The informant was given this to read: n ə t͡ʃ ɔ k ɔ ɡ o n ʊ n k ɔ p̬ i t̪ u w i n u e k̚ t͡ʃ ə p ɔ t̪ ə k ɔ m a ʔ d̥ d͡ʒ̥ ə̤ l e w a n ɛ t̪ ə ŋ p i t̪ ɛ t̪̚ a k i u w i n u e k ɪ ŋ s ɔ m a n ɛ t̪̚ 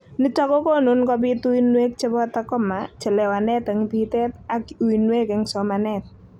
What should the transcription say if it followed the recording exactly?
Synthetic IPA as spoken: n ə t͡ʃ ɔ k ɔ k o n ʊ n k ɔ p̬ i t̪ u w i n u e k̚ t͡ʃ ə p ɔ t̪ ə k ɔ m a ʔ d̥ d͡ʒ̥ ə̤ l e w a n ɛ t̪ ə ŋ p i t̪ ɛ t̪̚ a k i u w i n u e k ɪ ŋ s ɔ m a n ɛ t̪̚